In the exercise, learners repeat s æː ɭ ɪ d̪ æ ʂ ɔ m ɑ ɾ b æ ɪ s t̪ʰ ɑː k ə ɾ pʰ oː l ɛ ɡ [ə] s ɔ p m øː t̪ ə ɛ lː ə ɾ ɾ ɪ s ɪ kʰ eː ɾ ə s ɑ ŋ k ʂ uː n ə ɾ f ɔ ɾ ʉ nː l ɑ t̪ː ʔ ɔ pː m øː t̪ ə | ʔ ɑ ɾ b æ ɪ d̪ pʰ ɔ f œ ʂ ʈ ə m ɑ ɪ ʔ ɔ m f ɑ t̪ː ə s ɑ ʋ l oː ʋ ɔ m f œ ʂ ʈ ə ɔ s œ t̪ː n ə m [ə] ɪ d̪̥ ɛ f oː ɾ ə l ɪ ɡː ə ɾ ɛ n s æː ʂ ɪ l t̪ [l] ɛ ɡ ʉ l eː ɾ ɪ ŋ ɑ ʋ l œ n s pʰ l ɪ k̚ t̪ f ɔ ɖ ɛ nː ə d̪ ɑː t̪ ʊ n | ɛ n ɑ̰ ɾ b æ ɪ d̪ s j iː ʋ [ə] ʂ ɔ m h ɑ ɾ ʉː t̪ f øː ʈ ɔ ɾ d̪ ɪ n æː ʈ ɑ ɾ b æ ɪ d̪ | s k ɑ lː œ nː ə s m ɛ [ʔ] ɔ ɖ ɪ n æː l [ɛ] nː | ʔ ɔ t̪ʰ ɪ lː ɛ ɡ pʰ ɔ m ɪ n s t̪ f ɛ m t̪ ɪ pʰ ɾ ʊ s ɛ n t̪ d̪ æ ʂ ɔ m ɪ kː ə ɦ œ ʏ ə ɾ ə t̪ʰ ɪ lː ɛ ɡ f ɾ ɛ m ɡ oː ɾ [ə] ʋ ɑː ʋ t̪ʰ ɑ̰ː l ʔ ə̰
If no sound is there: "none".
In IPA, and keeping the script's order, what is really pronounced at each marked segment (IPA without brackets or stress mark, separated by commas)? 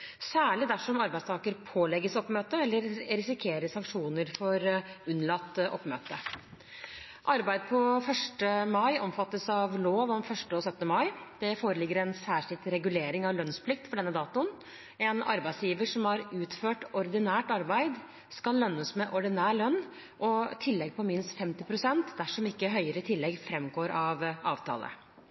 ə, ɑ, ɾ, ə, ʔ, œ, ɑ